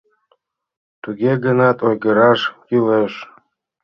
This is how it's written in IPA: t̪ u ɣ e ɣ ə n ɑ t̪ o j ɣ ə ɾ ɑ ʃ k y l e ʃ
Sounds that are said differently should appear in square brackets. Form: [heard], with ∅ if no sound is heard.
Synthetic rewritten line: t̪ u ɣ e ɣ ə n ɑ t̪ o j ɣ ə ɾ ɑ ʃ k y l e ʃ